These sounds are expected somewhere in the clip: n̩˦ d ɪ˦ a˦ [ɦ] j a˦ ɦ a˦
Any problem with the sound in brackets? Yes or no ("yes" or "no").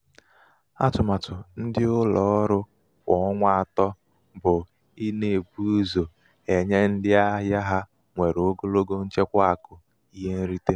no